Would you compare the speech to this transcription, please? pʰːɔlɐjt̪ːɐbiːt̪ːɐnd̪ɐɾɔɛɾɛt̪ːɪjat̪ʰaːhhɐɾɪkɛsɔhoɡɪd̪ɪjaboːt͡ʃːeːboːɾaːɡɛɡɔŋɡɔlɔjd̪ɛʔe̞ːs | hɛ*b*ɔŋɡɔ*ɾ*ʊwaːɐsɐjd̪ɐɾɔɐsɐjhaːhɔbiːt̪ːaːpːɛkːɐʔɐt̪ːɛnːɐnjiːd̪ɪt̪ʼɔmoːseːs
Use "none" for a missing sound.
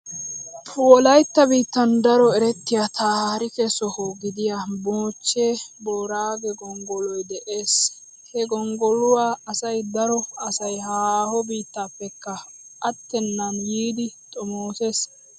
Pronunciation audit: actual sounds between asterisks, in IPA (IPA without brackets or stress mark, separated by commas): ɡ, l